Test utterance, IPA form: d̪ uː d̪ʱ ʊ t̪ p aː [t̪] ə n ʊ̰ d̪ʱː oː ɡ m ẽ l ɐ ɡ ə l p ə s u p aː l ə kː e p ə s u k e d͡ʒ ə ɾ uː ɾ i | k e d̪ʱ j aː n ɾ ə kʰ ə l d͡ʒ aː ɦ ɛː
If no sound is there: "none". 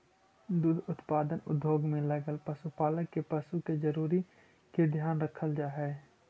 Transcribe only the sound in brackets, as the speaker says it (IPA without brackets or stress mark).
d̪